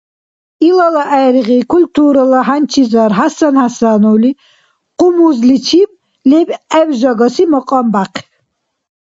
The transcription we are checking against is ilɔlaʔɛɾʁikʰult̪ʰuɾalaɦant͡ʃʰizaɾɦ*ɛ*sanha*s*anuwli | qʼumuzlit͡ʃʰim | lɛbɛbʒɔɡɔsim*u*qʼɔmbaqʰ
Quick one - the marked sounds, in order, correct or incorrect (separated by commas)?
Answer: incorrect, correct, incorrect